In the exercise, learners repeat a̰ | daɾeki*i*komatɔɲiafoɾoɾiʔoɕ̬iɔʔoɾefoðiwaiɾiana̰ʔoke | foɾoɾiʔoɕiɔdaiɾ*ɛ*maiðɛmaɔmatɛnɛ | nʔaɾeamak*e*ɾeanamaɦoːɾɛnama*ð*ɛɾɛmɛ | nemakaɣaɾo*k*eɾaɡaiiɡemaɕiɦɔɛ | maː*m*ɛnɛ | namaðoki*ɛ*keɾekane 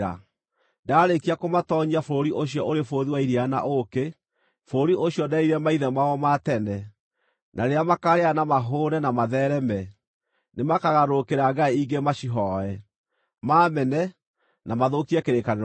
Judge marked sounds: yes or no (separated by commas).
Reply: no, yes, no, yes, yes, yes, yes